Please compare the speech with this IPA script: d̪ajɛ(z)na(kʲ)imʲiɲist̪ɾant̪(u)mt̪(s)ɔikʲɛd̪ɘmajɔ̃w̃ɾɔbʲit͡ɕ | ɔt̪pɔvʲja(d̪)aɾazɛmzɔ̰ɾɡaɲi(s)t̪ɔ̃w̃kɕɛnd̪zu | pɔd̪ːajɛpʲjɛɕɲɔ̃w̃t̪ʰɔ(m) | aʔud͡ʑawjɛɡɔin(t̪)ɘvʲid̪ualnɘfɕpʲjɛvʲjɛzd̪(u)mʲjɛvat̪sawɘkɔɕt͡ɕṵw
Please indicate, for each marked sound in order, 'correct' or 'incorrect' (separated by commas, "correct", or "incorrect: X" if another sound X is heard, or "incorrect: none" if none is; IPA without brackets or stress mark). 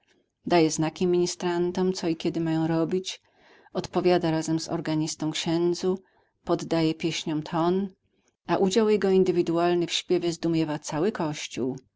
correct, correct, incorrect: ɔ, correct, correct, correct, incorrect: n, incorrect: d̪, correct